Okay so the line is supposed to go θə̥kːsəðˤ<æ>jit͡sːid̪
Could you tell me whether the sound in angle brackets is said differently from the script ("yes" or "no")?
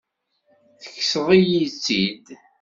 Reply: yes